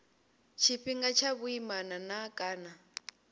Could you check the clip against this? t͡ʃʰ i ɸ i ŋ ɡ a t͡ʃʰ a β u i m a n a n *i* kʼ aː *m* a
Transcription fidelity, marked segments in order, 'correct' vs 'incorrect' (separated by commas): incorrect, incorrect